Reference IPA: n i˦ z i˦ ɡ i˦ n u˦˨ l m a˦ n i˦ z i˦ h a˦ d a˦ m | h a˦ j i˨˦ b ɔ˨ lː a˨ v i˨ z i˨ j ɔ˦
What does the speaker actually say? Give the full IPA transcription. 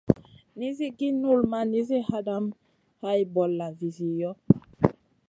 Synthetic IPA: n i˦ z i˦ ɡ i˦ n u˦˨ l m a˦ n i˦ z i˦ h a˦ d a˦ m | h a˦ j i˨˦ b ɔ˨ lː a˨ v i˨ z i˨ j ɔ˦